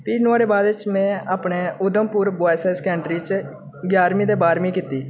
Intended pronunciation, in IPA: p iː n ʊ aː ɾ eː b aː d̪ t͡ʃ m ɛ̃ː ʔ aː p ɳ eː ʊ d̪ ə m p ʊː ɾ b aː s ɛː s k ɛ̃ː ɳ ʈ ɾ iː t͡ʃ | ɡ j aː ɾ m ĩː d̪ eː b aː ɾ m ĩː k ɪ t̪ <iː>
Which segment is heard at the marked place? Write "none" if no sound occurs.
iː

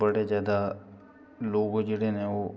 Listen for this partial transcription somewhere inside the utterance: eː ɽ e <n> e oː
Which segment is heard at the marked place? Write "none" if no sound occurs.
n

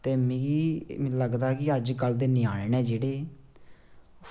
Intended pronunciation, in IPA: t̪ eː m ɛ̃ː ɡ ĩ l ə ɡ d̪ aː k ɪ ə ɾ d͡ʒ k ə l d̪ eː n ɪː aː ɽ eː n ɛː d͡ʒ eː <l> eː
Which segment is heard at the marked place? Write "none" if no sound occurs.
ɽ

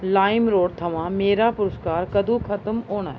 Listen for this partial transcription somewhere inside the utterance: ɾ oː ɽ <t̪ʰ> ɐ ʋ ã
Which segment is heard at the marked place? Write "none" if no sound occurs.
t̪ʰ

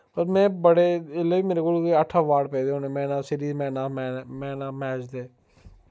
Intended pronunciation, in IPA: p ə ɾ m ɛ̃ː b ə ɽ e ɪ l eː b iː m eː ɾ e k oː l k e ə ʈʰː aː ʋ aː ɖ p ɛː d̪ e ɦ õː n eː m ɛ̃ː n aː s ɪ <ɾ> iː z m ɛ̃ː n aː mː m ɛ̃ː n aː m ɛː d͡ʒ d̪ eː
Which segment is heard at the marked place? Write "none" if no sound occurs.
ɾ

